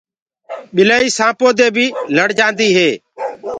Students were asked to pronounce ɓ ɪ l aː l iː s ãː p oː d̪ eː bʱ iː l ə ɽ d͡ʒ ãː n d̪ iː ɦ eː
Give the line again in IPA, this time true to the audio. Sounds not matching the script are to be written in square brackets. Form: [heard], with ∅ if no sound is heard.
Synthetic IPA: ɓ ɪ l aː [∅] iː s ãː p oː d̪ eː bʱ iː l ə ɽ d͡ʒ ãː n d̪ iː ɦ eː